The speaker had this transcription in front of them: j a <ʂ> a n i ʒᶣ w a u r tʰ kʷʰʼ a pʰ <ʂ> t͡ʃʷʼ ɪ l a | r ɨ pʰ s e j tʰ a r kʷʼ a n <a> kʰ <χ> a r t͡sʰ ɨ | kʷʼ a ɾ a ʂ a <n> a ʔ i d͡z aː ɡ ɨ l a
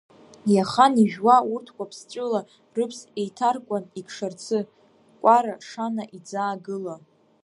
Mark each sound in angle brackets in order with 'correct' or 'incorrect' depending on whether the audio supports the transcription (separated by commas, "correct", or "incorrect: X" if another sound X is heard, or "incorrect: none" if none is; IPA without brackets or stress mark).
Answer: incorrect: χ, incorrect: s, incorrect: i, incorrect: ʂ, correct